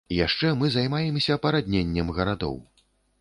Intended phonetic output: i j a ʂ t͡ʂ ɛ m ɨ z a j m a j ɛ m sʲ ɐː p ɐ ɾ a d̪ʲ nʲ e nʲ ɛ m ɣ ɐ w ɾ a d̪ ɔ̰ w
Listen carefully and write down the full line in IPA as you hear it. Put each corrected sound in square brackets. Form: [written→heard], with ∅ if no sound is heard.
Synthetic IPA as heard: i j a ʂ t͡ʂ ɛ m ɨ z a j m a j ɛ m sʲ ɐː p ɐ ɾ a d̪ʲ nʲ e [nʲ→nʲː] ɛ m ɣ ɐ [w→∅] ɾ a d̪ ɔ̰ w